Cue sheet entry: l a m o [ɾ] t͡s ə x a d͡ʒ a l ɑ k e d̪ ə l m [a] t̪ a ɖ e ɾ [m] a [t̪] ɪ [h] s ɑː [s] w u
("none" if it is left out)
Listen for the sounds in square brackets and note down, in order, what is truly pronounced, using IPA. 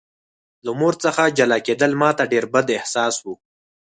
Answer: ɾ, ɑ, b, d̪, h, s

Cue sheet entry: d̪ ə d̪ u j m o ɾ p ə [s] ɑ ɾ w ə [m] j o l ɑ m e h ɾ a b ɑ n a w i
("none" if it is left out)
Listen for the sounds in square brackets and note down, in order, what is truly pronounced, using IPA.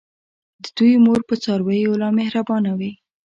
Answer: t͡s, none

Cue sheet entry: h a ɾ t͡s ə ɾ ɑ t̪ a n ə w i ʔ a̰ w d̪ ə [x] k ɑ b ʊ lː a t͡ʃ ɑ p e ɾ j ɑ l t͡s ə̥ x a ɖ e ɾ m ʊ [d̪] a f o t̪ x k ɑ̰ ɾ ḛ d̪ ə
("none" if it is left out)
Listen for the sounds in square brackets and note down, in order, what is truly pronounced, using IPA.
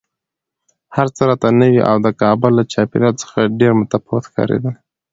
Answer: none, t̪

